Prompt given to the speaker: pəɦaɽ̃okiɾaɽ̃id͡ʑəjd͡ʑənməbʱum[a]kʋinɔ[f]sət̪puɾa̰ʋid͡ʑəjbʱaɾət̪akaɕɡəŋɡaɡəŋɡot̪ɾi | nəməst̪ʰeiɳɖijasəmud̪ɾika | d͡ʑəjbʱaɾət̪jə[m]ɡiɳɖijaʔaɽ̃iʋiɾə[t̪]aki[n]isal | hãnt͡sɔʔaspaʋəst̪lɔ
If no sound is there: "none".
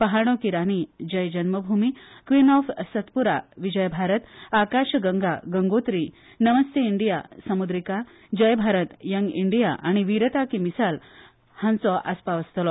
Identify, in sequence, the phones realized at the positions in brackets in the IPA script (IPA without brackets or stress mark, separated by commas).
i, f, ŋ, t̪, m